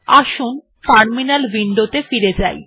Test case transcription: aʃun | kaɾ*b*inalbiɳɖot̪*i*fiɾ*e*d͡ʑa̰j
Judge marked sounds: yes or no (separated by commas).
no, no, yes